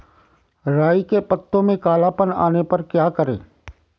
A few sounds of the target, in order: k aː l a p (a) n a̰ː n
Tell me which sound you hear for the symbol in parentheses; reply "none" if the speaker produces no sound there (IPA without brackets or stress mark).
ə